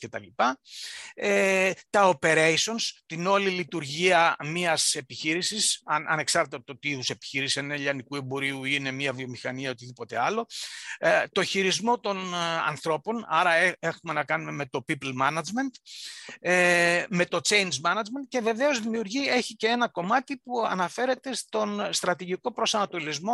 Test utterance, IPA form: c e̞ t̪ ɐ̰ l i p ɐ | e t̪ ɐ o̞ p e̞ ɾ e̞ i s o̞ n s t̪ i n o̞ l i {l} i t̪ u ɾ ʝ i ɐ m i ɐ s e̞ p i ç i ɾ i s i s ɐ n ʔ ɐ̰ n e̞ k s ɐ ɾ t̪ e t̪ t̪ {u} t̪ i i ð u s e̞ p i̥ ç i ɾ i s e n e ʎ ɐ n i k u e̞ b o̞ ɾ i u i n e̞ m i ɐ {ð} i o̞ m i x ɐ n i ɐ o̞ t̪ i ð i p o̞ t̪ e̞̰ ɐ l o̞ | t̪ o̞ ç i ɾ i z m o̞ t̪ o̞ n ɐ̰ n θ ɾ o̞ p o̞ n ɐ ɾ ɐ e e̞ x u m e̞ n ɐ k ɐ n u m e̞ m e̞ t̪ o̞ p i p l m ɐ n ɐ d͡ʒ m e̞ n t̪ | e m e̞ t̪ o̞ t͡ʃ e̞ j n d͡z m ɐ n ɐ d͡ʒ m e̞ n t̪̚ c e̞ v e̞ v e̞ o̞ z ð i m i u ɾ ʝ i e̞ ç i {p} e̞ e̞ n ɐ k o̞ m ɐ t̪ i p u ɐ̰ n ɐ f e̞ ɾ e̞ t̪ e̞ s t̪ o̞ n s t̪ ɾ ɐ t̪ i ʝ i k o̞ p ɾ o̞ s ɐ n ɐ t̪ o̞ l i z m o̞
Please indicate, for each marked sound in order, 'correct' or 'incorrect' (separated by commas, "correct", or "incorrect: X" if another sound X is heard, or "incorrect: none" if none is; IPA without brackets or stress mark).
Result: correct, incorrect: o, incorrect: v, incorrect: c